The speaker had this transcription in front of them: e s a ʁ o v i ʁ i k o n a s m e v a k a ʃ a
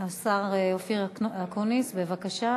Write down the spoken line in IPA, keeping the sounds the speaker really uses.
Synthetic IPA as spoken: a s a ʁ o f i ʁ a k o n i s b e v a k a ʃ a